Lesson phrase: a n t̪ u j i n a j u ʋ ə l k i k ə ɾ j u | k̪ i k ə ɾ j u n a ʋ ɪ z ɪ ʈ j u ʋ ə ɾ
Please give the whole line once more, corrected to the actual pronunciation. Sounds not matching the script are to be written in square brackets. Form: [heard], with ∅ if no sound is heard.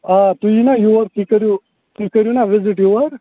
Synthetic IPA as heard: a [∅] t̪ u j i n a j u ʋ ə [ɾ] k i k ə ɾ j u | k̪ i k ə ɾ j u n a ʋ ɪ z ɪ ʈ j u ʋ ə ɾ

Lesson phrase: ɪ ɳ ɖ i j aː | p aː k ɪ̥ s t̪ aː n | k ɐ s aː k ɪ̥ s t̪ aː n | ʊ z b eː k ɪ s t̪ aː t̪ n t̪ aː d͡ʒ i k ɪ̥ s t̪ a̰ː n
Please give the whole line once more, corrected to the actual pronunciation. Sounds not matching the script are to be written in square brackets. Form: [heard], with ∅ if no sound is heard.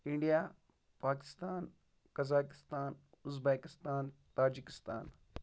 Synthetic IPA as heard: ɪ ɳ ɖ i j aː | p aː k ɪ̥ s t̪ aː n | k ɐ [z] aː k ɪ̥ s t̪ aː n | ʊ z b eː k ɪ s t̪ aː [∅] n t̪ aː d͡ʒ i k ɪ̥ s t̪ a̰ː n

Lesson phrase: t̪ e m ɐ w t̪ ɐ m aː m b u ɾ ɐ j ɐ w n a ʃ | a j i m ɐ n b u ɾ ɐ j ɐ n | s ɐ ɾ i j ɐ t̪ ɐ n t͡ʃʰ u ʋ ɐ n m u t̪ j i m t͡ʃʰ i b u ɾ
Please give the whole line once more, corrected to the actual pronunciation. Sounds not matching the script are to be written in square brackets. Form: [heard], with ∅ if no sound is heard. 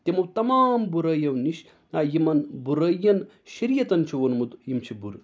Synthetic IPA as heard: t̪ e m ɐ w t̪ ɐ m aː m b u ɾ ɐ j ɐ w n [i] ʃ | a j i m ɐ n b u ɾ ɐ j ɐ n | [ʃ] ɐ ɾ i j ɐ t̪ ɐ n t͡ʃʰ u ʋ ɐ n m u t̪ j i m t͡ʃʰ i b u ɾ

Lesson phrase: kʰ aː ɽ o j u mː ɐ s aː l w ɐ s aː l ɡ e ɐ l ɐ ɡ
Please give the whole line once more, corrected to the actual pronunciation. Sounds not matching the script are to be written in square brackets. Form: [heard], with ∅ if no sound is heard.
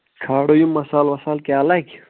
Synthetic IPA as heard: kʰ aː ɽ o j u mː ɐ s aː l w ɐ s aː l [k] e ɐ l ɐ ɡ

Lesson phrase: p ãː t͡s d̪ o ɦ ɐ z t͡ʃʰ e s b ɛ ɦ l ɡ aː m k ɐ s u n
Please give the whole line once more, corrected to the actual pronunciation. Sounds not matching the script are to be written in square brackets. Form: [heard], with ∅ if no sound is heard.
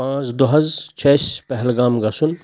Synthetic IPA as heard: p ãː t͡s d̪ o ɦ ɐ z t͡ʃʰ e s [p] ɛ ɦ l ɡ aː m [ɡ] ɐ s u n

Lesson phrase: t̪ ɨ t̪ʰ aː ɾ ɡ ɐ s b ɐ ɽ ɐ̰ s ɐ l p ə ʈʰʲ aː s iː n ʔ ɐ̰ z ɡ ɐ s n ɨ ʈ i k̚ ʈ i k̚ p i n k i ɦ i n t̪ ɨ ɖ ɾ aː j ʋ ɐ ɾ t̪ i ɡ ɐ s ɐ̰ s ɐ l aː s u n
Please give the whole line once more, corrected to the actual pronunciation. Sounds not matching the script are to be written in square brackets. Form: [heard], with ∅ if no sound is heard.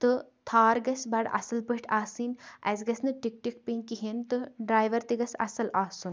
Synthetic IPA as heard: t̪ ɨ t̪ʰ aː ɾ ɡ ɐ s b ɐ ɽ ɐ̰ s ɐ l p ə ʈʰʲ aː s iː n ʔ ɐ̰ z ɡ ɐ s n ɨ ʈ i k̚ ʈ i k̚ p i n k i ɦ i n t̪ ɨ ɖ ɾ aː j ʋ ɐ ɾ t̪ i ɡ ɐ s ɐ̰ s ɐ l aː s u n

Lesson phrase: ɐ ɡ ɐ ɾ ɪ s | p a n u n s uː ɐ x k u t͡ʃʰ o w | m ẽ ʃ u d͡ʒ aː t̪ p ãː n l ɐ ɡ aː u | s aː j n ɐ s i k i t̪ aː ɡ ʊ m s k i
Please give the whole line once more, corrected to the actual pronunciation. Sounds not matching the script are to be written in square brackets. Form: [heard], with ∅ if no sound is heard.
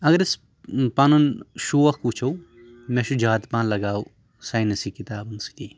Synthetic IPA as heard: ɐ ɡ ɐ ɾ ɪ s | p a n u n [ʃ] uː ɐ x k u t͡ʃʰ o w | m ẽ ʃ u d͡ʒ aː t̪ p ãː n l ɐ ɡ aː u | s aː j n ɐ s i k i t̪ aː [b] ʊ [n] s k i

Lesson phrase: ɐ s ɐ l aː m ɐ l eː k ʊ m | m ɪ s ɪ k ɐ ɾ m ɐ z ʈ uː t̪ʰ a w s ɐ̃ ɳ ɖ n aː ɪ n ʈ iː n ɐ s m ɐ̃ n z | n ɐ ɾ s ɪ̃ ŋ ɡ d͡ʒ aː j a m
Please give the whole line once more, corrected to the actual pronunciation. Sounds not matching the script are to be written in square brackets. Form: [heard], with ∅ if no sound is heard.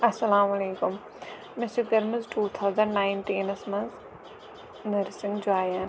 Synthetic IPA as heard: ɐ s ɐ l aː m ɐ l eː k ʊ m | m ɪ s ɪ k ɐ ɾ m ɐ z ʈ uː t̪ʰ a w [z] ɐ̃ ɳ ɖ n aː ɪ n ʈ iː n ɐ s m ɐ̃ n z | n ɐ ɾ s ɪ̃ ŋ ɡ d͡ʒ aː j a [n]

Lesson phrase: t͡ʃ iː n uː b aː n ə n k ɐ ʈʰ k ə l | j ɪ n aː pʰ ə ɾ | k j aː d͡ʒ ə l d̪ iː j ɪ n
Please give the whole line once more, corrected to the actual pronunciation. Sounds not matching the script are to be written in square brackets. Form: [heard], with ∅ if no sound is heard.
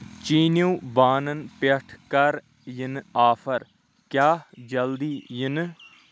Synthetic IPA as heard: t͡ʃ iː n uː b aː n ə n [p] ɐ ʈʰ k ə [ɾ] | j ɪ n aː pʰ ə ɾ | k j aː d͡ʒ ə l d̪ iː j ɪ n

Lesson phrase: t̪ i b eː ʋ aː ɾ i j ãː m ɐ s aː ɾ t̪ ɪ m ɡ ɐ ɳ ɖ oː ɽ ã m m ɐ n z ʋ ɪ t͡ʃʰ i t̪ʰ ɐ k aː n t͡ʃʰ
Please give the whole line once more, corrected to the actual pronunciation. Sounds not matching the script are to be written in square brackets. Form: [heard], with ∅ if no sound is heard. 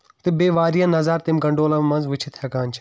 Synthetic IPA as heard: t̪ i b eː ʋ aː ɾ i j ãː [n] ɐ [z] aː ɾ t̪ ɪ m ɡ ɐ ɳ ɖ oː [l] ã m m ɐ n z ʋ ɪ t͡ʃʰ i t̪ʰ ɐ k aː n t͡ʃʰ

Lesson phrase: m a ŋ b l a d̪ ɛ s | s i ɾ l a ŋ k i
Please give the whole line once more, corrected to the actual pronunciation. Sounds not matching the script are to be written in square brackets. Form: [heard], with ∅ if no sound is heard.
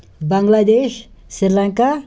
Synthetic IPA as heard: [b] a ŋ [ɡ] l a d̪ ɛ [ʃ] | s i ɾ l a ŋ k [a]

